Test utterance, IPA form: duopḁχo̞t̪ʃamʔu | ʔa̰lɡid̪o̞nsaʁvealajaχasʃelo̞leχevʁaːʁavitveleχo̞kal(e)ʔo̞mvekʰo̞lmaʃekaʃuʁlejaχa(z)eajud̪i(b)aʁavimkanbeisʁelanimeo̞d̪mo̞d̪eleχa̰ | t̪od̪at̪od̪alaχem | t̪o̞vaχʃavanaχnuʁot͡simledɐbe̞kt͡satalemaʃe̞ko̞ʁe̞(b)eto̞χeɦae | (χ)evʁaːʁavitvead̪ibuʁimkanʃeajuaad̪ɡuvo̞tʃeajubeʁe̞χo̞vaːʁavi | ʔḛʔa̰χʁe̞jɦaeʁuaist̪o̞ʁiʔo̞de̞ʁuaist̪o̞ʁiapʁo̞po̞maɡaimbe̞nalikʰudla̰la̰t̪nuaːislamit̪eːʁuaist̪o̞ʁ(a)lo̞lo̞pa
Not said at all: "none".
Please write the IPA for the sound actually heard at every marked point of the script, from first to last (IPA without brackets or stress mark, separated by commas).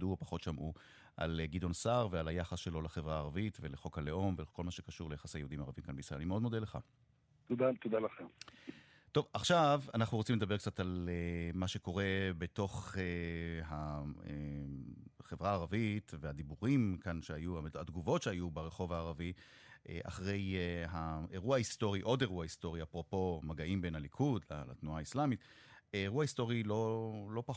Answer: e, s, m, b, χ, i